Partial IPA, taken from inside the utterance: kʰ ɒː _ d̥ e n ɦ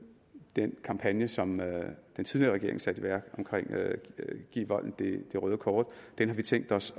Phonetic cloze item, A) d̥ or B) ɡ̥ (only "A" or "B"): A